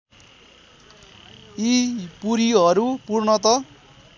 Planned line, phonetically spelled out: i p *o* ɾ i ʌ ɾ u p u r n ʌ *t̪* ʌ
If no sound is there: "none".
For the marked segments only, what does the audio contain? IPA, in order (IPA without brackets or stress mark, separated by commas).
u, t̪